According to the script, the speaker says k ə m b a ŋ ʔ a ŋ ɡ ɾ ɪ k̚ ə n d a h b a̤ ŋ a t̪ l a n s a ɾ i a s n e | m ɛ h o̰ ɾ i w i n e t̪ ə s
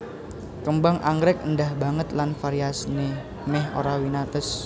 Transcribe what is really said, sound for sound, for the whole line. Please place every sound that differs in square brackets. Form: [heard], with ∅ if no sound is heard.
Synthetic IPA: k ə m b a ŋ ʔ a ŋ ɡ ɾ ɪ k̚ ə n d a h b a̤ ŋ [ə] t̪ l a n [f] a ɾ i a s n e | m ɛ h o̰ ɾ [a] w i n [a] t̪ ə s